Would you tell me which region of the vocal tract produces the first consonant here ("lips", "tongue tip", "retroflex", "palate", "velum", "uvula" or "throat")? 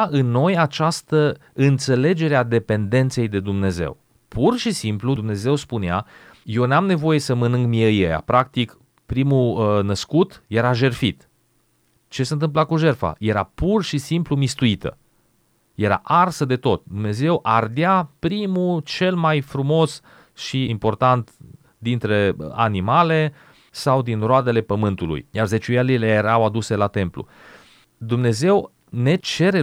tongue tip